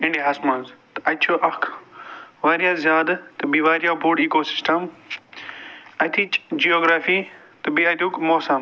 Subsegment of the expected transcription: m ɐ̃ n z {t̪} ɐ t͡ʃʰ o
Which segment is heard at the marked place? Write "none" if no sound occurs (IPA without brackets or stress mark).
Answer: t̪